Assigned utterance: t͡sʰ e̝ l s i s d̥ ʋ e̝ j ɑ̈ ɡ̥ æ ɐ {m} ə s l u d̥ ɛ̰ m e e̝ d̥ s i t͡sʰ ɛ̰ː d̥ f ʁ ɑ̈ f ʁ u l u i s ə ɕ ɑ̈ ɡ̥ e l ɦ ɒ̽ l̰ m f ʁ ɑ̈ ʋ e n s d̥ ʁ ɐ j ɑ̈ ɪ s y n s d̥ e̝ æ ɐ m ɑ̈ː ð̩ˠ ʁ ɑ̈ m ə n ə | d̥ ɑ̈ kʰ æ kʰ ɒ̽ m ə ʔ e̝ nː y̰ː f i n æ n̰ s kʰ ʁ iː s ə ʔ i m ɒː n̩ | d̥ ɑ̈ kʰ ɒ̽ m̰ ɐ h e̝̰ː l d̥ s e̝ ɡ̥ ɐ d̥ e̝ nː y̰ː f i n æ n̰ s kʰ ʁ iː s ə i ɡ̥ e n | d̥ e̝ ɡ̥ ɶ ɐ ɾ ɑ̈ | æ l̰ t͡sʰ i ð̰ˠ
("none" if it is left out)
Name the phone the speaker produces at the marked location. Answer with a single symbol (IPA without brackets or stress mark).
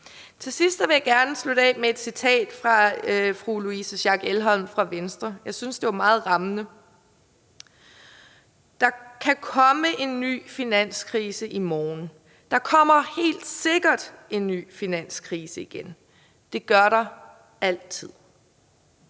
n